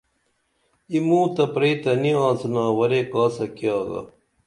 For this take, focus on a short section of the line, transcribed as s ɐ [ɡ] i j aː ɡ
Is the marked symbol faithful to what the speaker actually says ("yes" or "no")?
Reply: no